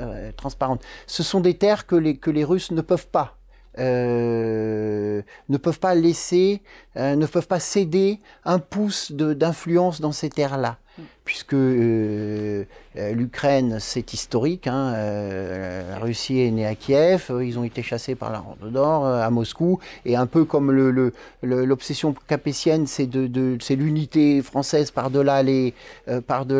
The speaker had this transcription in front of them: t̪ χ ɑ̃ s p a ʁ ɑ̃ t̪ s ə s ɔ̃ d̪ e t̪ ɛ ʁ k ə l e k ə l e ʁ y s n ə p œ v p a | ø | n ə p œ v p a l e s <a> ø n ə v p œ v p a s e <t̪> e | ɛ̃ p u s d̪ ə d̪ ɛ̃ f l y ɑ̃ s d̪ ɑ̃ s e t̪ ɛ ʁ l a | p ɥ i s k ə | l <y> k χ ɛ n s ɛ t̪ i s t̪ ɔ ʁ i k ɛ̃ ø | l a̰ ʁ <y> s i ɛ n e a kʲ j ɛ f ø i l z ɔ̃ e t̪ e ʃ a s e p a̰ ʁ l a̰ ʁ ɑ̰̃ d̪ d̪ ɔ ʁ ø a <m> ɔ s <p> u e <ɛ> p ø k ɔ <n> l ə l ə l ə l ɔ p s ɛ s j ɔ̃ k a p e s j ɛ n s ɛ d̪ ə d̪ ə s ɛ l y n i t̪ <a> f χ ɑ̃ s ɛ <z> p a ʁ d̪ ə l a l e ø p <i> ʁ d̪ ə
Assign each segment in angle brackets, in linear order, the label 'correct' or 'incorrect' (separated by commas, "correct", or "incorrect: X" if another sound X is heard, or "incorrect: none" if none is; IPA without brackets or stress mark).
incorrect: e, incorrect: d̪, correct, correct, correct, incorrect: k, incorrect: ɛ̃, incorrect: m, incorrect: e, correct, incorrect: a